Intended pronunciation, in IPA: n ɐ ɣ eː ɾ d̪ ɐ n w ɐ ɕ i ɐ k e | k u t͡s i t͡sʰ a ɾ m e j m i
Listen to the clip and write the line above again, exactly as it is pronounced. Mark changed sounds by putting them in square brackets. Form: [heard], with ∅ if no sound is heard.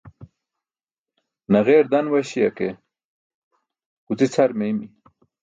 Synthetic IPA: n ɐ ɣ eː ɾ d̪ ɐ n w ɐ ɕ i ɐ k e | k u t͡s i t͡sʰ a ɾ m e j m i